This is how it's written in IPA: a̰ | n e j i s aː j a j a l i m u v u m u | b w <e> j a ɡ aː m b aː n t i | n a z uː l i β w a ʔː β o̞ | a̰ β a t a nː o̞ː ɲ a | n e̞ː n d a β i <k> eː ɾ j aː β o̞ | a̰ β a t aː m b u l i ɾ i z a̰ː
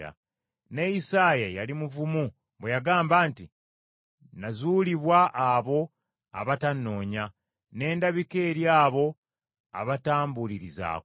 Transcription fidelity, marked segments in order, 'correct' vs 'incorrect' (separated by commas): correct, correct